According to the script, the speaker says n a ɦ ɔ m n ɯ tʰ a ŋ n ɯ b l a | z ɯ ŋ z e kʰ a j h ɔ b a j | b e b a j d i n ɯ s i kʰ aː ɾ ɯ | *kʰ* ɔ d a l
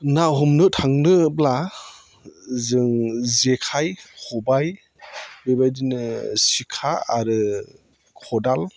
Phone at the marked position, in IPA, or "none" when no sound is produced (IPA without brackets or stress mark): kʰ